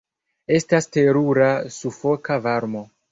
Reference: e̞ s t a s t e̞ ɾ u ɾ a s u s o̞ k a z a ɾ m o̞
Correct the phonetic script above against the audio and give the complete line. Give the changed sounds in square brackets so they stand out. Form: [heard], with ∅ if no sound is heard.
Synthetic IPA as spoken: e̞ s t a s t e̞ ɾ u ɾ a s u [f] o̞ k a [v] a ɾ m o̞